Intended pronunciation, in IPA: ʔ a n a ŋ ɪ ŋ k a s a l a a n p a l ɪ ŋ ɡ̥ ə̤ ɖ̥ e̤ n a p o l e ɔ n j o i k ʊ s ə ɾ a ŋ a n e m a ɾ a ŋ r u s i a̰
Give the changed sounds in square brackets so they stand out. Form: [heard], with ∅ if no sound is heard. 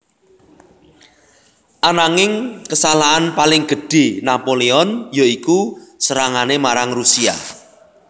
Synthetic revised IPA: ʔ a n a ŋ ɪ ŋ k [ə] s a l a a n p a l ɪ ŋ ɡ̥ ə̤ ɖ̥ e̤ n a p o l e ɔ n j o i k [u] s ə ɾ a ŋ a n e m a ɾ a ŋ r u s i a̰